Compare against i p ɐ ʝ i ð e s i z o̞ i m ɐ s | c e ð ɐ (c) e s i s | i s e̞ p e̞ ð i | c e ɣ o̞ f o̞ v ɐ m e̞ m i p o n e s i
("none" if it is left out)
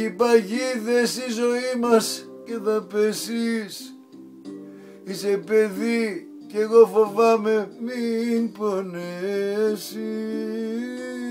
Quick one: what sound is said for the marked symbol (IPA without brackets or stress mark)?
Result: p